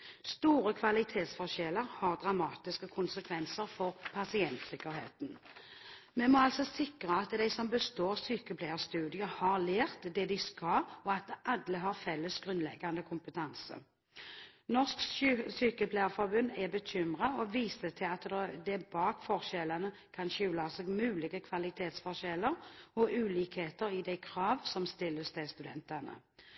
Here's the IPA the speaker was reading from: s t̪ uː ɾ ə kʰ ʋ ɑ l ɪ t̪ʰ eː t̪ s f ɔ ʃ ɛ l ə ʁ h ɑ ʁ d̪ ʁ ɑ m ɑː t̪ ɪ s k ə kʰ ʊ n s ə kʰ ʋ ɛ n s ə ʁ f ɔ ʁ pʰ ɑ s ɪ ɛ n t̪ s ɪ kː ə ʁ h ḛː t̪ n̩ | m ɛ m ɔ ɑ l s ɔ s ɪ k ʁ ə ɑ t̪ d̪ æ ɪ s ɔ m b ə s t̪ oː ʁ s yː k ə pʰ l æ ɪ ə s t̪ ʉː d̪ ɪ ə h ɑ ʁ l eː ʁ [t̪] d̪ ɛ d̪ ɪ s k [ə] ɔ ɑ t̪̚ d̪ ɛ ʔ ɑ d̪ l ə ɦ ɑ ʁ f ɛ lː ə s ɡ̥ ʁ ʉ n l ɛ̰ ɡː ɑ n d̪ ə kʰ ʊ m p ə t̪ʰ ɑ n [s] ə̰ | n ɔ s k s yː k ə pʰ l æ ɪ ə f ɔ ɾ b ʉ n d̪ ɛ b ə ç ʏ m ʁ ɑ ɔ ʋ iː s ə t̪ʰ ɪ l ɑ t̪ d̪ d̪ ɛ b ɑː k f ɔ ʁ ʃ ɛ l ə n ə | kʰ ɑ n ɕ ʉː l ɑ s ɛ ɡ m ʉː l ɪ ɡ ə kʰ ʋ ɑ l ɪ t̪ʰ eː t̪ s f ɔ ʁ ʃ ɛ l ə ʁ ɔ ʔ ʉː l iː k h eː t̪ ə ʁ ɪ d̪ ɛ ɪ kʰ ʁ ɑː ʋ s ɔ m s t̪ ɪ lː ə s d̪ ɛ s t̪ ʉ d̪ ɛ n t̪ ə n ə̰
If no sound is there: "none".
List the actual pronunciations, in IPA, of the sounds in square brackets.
t̪, ɑ, s

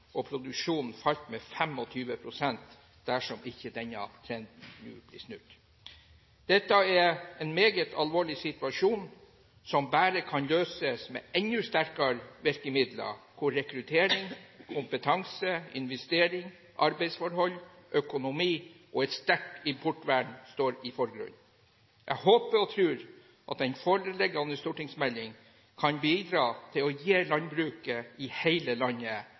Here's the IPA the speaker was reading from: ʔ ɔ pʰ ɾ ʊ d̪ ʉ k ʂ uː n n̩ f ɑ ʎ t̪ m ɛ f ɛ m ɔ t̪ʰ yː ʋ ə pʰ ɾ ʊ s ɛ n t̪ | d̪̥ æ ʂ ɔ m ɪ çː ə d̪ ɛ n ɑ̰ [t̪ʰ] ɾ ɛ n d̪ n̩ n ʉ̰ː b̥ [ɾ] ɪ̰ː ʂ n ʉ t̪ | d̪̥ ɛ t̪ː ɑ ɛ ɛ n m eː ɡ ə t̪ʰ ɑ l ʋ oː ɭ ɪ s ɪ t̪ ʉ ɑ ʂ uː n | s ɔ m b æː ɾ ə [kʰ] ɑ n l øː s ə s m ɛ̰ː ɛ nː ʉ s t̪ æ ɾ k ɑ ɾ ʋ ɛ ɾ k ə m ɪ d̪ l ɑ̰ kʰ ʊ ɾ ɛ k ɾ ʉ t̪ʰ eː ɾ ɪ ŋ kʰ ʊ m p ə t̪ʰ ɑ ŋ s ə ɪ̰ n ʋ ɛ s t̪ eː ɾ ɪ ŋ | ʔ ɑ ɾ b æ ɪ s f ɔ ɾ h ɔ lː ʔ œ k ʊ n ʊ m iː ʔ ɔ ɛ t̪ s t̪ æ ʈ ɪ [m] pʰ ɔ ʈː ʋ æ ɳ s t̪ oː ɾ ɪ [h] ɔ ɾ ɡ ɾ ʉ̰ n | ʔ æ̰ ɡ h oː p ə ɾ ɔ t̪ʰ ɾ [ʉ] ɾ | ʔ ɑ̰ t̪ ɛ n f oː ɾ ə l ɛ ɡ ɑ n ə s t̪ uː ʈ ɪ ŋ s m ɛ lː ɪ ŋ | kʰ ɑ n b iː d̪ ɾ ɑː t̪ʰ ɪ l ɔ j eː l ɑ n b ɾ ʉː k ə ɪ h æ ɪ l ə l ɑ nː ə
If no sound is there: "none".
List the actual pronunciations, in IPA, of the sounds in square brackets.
t̪ʰ, l, kʰ, m, f, ʉː

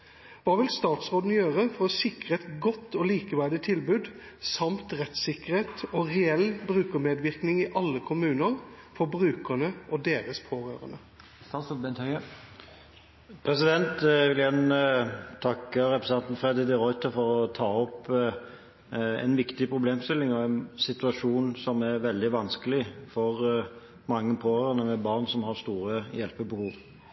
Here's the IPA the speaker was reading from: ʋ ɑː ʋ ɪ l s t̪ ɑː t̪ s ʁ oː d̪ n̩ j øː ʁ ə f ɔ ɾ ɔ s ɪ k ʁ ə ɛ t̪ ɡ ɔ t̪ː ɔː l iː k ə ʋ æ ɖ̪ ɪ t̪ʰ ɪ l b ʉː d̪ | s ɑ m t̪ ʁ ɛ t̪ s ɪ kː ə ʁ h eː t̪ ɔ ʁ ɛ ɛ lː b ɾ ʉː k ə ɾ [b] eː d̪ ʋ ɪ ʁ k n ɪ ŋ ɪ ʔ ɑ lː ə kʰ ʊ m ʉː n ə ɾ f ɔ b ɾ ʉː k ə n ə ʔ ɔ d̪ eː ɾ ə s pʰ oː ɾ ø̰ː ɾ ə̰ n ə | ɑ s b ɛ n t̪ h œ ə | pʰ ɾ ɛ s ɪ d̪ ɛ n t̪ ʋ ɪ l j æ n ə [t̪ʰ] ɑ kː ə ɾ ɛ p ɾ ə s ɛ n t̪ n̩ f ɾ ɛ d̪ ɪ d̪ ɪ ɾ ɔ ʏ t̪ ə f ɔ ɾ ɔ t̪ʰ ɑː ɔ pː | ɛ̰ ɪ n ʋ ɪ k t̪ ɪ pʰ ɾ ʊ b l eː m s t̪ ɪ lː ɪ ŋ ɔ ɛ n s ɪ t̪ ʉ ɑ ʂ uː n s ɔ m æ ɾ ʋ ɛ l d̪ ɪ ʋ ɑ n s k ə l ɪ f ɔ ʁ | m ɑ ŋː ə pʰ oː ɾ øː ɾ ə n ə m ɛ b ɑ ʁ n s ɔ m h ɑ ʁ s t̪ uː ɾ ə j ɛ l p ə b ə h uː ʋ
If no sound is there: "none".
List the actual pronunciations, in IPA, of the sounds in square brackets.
m, t̪ʰ

